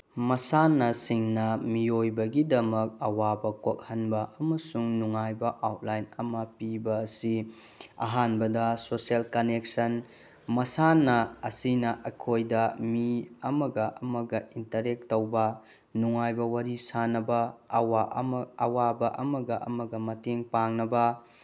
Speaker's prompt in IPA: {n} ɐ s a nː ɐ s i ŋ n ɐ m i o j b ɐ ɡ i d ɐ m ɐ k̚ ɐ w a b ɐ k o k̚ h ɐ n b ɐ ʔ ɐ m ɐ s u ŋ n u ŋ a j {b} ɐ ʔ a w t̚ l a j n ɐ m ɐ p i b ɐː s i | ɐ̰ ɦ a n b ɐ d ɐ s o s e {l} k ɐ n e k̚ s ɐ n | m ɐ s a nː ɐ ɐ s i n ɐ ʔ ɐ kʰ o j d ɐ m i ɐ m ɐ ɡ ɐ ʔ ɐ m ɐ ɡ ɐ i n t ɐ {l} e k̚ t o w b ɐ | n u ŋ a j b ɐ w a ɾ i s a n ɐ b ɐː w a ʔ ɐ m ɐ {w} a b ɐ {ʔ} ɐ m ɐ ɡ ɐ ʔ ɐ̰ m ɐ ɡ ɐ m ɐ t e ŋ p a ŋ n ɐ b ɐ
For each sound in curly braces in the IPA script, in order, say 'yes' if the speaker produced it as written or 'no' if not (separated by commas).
no, yes, yes, no, yes, yes